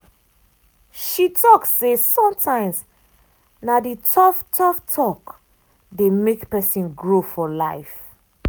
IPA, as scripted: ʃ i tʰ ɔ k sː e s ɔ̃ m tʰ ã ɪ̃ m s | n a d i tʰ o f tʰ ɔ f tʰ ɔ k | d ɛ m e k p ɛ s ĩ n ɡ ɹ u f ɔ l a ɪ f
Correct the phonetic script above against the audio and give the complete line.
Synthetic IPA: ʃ i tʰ ɔ k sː e s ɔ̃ m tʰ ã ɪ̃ m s | n a d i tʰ ɔ f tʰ ɔ f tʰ ɔ k | d e m e k p ɛ s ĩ n ɡ ɹ o f ɔ l a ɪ f